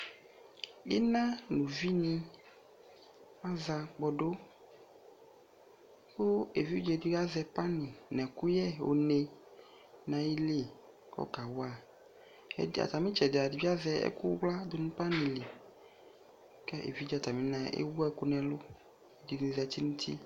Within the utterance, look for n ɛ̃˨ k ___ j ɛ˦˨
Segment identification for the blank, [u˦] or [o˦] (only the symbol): u˦